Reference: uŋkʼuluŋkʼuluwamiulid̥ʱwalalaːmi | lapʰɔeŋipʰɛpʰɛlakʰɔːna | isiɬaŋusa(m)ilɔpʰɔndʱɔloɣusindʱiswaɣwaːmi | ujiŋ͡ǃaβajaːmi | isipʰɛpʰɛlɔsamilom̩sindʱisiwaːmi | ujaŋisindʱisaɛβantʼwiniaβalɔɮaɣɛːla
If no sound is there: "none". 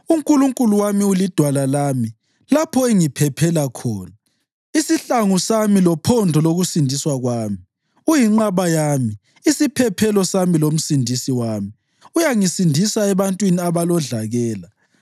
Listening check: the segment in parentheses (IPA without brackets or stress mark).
m